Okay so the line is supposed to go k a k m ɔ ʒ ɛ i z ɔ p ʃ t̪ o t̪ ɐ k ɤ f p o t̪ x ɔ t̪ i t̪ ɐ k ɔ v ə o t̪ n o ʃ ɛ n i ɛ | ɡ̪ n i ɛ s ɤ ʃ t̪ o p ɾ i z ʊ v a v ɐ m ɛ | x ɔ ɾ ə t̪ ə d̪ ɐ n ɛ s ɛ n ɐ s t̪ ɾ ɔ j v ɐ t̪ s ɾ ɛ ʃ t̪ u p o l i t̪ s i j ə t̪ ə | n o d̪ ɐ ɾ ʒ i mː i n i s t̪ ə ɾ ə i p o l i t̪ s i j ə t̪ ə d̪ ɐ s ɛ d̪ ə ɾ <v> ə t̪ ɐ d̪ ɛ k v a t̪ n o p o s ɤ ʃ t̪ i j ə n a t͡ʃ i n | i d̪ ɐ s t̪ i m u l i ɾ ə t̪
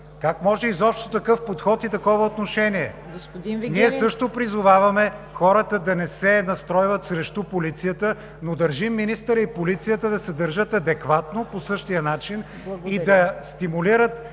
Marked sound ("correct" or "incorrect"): incorrect